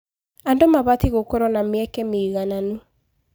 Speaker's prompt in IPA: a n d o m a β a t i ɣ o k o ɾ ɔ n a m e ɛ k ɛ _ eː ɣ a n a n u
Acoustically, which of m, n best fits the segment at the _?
m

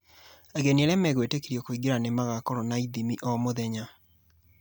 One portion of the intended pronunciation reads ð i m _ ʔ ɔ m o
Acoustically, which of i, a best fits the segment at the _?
i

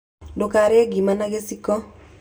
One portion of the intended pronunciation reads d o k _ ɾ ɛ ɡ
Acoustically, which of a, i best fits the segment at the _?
a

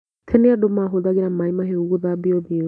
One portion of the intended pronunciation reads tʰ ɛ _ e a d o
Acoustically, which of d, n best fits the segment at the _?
n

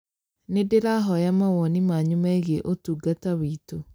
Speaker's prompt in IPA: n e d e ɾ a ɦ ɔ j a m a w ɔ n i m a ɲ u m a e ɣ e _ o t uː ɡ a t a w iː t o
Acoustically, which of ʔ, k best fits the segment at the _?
ʔ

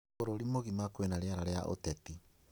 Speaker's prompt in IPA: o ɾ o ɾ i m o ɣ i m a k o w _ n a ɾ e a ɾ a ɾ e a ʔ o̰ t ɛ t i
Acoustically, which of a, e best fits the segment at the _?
e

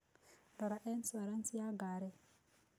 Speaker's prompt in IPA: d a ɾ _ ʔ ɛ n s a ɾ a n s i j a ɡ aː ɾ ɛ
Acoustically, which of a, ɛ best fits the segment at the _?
a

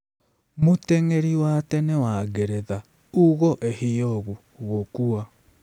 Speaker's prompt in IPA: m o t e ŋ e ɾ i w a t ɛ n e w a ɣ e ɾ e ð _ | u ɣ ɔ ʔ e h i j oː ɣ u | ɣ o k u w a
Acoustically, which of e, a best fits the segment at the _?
a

